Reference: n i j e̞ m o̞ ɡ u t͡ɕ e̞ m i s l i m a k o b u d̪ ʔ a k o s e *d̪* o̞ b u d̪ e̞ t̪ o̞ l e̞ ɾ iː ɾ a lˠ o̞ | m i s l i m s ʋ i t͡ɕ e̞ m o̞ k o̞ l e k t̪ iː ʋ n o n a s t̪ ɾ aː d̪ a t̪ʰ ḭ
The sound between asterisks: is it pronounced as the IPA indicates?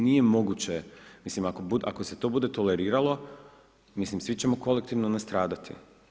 no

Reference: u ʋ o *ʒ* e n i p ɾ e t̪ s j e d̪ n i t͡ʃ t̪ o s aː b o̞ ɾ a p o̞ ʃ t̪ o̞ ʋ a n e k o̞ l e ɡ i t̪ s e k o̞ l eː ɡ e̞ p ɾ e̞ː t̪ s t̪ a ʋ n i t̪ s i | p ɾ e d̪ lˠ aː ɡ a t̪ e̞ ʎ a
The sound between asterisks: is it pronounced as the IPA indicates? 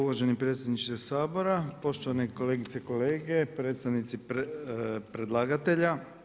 yes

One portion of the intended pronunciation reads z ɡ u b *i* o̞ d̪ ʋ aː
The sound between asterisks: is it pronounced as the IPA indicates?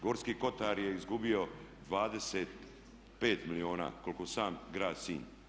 yes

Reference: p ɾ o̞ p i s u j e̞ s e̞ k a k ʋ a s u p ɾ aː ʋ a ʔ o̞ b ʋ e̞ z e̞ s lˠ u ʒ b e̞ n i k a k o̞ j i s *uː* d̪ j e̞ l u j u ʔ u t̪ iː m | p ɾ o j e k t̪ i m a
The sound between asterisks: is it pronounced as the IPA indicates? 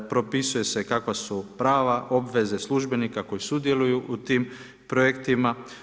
no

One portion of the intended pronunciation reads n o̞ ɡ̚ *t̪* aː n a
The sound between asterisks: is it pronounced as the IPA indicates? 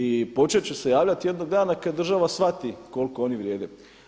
no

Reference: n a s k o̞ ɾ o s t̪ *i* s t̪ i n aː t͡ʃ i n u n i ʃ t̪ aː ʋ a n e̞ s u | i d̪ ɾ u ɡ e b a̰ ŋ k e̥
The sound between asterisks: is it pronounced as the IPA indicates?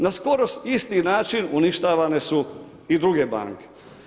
yes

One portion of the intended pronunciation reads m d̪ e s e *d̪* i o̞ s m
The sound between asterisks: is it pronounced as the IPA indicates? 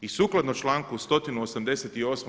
no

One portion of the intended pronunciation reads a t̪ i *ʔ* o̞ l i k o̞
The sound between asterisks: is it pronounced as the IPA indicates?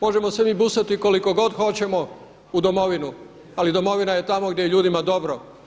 no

